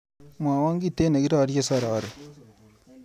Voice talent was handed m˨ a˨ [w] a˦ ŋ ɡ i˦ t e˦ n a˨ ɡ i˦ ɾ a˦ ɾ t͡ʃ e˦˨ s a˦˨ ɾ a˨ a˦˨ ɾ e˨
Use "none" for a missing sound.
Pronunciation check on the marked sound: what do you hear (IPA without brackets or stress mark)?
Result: w